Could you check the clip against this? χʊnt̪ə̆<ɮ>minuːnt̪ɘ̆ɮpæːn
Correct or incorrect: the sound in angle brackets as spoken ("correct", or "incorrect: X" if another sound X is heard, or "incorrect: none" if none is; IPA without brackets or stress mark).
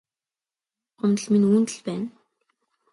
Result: correct